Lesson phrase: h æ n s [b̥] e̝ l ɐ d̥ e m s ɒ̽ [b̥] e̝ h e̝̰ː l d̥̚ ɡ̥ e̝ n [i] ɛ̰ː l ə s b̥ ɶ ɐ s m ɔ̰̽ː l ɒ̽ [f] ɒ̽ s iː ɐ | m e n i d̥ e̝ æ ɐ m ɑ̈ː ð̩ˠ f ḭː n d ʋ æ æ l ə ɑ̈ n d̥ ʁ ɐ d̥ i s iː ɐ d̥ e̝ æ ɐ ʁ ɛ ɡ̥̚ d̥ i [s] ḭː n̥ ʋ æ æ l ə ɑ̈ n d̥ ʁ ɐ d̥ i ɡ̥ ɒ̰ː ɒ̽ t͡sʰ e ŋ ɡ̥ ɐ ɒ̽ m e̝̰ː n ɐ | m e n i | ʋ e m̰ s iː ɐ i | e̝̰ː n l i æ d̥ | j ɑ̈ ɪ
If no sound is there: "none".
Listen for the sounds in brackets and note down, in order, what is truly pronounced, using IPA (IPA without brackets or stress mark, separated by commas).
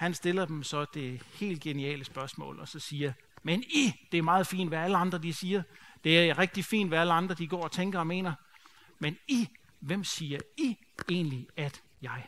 d̥, d̥, i, s, f